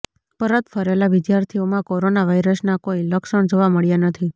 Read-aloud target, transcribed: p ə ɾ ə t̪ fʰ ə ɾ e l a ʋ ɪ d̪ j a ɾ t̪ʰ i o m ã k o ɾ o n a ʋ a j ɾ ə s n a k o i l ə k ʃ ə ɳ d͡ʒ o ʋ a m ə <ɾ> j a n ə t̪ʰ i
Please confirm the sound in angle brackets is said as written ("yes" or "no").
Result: no